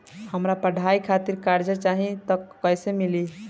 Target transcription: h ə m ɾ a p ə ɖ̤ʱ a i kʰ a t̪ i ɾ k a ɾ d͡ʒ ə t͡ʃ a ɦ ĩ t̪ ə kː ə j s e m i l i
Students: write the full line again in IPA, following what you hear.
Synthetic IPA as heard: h ə m ɾ a p ə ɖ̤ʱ a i kʰ a t̪ i ɾ k a ɾ d͡ʒ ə t͡ʃ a ɦ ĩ t̪ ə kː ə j s e m i l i